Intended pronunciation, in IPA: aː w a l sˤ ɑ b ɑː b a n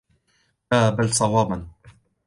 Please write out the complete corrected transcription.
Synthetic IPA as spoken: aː b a l sˤ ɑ w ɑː b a n